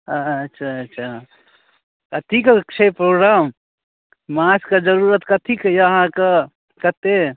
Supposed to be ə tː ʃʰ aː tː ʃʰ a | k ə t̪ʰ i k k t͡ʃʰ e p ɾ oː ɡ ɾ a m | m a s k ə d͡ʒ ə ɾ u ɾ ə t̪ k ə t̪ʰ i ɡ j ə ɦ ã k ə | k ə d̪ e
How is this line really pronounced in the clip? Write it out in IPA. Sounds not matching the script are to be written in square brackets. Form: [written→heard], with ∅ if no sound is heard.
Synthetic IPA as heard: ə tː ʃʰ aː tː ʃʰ a | k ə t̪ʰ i k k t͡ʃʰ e p ɾ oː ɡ ɾ a m | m a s k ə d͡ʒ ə ɾ u ɾ ə t̪ k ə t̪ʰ i [ɡ→k] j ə ɦ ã k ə | k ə [d̪→t̪] e

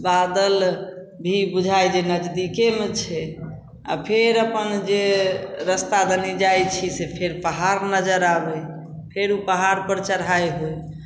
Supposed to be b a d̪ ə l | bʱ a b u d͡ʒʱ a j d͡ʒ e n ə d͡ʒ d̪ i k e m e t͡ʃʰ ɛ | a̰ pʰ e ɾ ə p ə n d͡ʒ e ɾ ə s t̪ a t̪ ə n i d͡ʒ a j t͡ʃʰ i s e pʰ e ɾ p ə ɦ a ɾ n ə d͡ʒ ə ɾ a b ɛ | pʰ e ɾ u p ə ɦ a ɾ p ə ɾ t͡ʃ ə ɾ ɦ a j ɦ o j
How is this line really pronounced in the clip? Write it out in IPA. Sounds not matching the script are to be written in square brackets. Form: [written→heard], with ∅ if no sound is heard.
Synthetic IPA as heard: b a d̪ ə l | bʱ [a→i] b u d͡ʒʱ a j d͡ʒ e n ə d͡ʒ d̪ i k e m e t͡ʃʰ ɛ | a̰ pʰ e ɾ ə p ə n d͡ʒ e ɾ ə s t̪ a [t̪→d̪] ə n i d͡ʒ a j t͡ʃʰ i s e pʰ e ɾ p ə ɦ a ɾ n ə d͡ʒ ə ɾ a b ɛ | pʰ e ɾ u p ə ɦ a ɾ p ə ɾ t͡ʃ ə ɾ ɦ a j ɦ o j

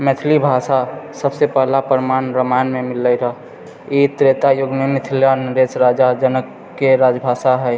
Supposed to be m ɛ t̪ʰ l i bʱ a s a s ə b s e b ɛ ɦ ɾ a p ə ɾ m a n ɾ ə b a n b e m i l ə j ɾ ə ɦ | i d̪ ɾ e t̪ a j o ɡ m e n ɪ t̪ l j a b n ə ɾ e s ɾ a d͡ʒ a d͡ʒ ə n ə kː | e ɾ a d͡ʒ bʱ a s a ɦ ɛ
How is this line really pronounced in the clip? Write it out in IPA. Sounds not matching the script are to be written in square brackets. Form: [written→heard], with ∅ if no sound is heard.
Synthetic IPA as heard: m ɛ t̪ʰ l i bʱ a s a s ə b s e [b→p] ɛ ɦ [ɾ→l] a p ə ɾ m a n ɾ ə [b→m] a n [b→m] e m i l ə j ɾ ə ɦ | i [d̪→t̪] ɾ e t̪ a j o ɡ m e [n→m] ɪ [t̪→t̪ʰ] l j a [b→∅] n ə ɾ e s ɾ a d͡ʒ a d͡ʒ ə n ə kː | e ɾ a d͡ʒ bʱ a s a ɦ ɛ

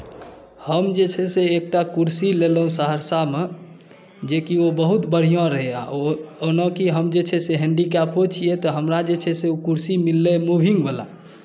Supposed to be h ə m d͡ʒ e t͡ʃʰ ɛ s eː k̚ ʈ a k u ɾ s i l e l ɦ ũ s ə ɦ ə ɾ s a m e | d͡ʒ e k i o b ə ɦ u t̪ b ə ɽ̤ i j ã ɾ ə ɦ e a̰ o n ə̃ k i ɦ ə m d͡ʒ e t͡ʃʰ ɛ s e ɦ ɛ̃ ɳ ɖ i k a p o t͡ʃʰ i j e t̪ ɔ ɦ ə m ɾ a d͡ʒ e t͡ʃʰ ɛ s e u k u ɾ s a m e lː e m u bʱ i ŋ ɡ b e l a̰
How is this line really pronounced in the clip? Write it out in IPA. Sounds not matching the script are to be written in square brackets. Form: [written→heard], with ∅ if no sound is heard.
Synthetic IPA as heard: h ə m d͡ʒ e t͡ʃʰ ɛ s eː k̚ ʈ a k u ɾ s i l e l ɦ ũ s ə ɦ ə ɾ s a m e | d͡ʒ e k i o b ə ɦ u t̪ b ə ɽ̤ i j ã ɾ ə ɦ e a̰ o n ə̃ k i ɦ ə m d͡ʒ e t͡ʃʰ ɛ s e ɦ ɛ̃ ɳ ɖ i k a p o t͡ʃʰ i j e t̪ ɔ ɦ ə m ɾ a d͡ʒ e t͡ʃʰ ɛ s e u k u ɾ s [a→i] m [e→i] lː e m u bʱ i ŋ ɡ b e l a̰

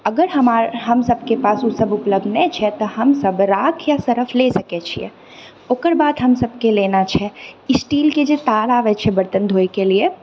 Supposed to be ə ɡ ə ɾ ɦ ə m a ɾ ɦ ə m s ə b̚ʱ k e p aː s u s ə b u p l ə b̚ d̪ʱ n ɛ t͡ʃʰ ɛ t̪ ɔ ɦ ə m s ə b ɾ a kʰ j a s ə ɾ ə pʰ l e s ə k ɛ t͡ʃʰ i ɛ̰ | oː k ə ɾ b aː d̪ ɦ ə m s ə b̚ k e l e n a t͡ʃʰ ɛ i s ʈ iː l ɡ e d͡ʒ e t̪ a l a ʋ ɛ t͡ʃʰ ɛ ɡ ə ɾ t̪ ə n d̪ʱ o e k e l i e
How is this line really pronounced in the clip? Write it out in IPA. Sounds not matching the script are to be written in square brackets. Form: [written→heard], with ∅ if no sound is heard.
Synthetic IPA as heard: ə ɡ ə ɾ ɦ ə m a ɾ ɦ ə m s ə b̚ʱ k e p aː s u s ə b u p l ə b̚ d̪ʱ n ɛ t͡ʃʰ ɛ t̪ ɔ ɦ ə m s ə b ɾ a kʰ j a s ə ɾ ə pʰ l e s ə k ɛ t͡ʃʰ i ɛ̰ | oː k ə ɾ b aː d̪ ɦ ə m s ə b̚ k e l e n a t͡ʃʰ ɛ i s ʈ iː l [ɡ→k] e d͡ʒ e t̪ a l a ʋ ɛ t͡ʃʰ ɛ [ɡ→b] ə ɾ t̪ ə n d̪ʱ o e k e l i e

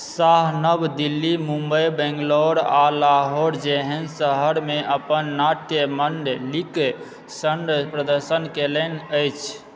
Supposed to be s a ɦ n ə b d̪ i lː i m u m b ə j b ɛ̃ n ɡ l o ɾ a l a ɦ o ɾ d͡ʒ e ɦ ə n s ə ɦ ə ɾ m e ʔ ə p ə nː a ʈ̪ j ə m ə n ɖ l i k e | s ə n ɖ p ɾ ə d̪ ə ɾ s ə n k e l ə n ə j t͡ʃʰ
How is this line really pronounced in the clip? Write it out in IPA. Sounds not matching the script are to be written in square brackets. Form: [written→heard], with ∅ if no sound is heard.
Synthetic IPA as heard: s a ɦ n ə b d̪ i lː i m u m b ə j b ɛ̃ [n→ŋ] ɡ l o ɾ a l a ɦ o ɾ d͡ʒ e ɦ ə n s ə ɦ ə ɾ m e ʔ ə p ə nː a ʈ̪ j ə m ə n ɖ l i k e | s ə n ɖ p ɾ ə d̪ ə ɾ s ə n k e l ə n ə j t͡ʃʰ

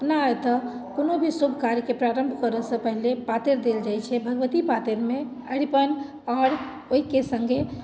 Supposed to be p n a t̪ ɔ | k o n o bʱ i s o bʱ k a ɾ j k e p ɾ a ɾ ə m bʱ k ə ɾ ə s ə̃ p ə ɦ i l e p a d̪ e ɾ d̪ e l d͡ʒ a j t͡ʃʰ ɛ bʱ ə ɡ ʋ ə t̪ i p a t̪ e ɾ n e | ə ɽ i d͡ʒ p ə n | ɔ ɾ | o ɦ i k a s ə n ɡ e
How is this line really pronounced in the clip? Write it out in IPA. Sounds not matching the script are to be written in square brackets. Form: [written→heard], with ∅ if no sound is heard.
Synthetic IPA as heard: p n a t̪ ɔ | k o n o bʱ i s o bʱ k a ɾ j k e p ɾ a ɾ ə m bʱ k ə ɾ ə s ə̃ p ə ɦ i l e p a [d̪→t̪] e ɾ d̪ e l d͡ʒ a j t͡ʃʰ ɛ bʱ ə ɡ ʋ ə t̪ i p a t̪ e ɾ [n→m] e | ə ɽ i [d͡ʒ→∅] p ə n | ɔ ɾ | o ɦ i k [a→e] s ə [n→ŋ] ɡ e

